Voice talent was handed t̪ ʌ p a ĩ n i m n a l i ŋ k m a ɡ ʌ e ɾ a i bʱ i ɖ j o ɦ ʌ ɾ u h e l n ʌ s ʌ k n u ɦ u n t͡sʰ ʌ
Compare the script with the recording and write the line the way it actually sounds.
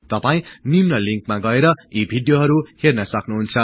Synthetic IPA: t̪ ʌ p a ĩ n i m n ʌ l i ŋ k m a ɡ ʌ e ɾ ʌ i bʱ i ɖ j o ɦ ʌ ɾ u h e r n ʌ s ʌ k n u ɦ u n t͡sʰ ʌ